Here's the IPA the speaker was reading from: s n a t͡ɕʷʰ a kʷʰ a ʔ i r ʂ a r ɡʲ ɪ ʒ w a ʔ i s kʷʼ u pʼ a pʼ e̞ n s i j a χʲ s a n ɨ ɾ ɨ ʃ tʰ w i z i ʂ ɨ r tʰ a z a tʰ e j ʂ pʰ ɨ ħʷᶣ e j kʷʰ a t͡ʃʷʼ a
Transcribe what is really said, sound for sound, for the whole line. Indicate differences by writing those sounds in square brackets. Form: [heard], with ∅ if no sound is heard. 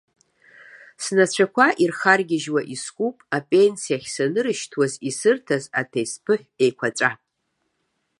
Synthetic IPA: s n a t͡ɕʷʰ a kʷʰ a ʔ i r [χ] a r ɡʲ ɪ ʒ w a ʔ i s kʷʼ u pʼ a pʼ e̞ n s i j a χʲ s a n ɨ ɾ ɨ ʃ tʰ w [a] z i [s] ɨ r tʰ a z a tʰ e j [s] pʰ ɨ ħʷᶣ e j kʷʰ a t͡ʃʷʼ a